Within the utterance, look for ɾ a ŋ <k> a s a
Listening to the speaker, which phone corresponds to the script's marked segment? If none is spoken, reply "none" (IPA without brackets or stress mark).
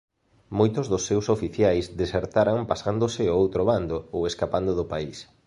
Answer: p